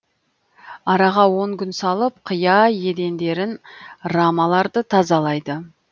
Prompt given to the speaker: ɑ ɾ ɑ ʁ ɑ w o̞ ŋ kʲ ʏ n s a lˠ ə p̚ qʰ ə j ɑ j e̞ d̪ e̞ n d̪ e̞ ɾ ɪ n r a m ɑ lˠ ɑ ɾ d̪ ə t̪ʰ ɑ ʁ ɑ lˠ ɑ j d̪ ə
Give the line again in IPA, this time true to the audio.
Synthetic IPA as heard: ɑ ɾ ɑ ʁ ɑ w o̞ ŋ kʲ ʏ n s ɑ lˠ ə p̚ qʰ ə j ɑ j e̞ d̪ e̞ n d̪ e̞ ɾ ɪ n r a m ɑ lˠ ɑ ɾ d̪ ə t̪ʰ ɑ z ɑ lˠ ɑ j d̪ ə